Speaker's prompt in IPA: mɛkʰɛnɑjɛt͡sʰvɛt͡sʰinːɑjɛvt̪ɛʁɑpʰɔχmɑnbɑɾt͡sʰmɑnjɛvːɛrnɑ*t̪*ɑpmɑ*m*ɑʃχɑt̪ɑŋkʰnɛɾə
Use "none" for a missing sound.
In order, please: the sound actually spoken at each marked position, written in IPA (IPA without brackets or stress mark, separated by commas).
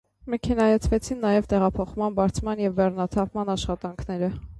t̪ʰ, n